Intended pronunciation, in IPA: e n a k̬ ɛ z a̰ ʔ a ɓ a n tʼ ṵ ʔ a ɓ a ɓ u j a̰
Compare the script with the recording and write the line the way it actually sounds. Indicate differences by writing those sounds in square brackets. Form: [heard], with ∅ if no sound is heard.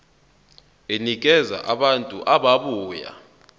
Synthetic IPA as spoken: e n [i] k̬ ɛ z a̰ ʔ a ɓ a n tʼ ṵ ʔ a ɓ a ɓ [uː] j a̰